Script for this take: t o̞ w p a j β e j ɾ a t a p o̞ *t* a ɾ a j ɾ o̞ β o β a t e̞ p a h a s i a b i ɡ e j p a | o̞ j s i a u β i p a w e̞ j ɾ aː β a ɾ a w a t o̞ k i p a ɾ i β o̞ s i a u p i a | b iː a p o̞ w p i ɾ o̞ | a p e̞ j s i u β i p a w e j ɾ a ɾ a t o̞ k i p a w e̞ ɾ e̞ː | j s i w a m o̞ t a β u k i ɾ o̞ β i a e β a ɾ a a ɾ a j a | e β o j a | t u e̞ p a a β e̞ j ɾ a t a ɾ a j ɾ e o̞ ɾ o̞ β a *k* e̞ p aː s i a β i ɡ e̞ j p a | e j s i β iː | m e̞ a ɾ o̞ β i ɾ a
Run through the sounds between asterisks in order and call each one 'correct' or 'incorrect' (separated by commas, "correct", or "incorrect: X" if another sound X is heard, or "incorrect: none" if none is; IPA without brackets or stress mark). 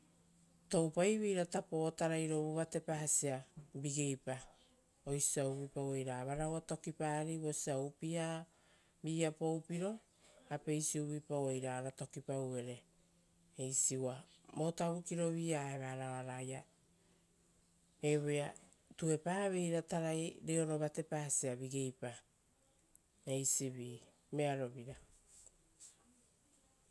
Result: correct, incorrect: t